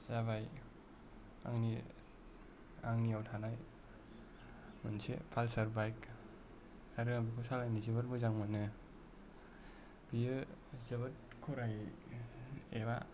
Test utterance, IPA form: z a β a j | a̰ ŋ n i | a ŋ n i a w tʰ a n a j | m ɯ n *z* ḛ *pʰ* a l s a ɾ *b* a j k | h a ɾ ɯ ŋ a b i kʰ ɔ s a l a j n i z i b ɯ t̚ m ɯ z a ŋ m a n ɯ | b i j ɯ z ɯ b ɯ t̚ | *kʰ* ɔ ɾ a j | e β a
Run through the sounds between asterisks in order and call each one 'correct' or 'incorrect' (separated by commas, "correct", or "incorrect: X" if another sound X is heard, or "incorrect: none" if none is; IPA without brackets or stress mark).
incorrect: s, correct, correct, correct